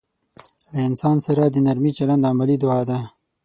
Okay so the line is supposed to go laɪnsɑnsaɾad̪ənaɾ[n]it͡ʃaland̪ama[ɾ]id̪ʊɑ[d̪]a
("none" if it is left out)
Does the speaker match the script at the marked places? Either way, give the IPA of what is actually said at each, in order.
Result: m, l, d̪

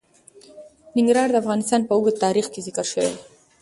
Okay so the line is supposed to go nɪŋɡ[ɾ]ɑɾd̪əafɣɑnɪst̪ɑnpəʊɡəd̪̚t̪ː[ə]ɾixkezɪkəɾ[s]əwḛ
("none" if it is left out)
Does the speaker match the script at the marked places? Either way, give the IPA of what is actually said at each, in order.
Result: ɾ, ɑ, ʃ

